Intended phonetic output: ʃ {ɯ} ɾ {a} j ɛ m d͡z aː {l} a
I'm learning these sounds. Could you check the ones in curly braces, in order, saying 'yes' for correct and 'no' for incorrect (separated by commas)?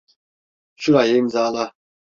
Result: no, yes, yes